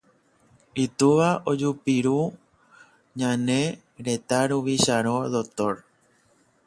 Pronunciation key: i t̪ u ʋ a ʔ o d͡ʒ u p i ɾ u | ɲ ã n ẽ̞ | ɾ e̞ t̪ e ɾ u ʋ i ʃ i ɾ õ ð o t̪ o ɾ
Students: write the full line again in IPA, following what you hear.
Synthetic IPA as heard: i t̪ u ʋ a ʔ o d͡ʒ u p i ɾ u | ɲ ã n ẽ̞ | ɾ e̞ t̪ a ɾ u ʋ i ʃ a ɾ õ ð o t̪ o ɾ